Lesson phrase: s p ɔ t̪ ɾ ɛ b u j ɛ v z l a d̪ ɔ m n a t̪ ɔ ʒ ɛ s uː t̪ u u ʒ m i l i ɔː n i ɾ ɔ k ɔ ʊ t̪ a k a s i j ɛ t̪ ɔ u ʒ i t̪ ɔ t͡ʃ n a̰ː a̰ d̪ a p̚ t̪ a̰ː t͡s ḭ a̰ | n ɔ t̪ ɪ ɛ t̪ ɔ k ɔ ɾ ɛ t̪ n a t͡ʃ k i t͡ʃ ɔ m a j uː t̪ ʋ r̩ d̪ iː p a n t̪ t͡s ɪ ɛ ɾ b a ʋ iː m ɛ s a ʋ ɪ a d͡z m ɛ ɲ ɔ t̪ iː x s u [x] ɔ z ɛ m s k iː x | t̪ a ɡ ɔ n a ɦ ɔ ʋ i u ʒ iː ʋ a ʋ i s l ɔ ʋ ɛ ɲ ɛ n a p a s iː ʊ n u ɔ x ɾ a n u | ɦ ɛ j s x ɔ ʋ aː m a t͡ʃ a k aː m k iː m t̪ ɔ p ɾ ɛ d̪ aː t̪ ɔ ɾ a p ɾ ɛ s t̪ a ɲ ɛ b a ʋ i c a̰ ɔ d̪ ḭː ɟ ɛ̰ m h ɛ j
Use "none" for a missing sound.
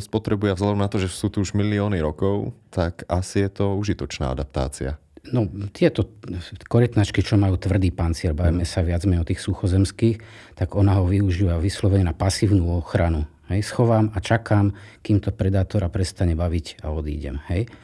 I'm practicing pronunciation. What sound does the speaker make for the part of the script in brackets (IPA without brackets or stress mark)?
x